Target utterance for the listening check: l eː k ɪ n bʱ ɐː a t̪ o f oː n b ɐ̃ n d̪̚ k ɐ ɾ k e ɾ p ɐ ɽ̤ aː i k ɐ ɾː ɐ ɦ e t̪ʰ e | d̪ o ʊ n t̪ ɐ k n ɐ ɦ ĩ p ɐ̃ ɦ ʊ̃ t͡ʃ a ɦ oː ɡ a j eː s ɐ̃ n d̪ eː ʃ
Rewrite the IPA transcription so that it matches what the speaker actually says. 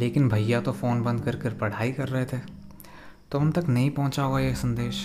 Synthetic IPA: l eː k ɪ n bʱ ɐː a t̪ o f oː n b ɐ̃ n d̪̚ k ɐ ɾ k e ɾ p ɐ ɽ̤ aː i k ɐ ɾː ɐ ɦ e t̪ʰ e | t̪ o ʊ n t̪ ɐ k n ɐ ɦ ĩ p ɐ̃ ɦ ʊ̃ t͡ʃ a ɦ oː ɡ a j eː s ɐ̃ n d̪ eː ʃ